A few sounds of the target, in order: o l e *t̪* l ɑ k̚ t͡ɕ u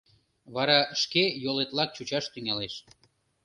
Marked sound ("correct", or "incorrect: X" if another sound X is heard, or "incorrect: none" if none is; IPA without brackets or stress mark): correct